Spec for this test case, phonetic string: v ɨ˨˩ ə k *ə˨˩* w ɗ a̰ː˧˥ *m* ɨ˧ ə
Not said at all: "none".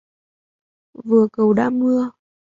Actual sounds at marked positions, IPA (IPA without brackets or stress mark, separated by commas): ə˨˩, m